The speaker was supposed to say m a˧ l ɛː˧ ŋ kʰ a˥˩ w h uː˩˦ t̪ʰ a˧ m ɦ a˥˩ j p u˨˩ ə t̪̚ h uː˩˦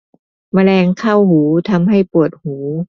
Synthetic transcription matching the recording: m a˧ l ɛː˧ ŋ kʰ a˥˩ w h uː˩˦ t̪ʰ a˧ m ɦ a˥˩ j p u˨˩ ə t̪̚ h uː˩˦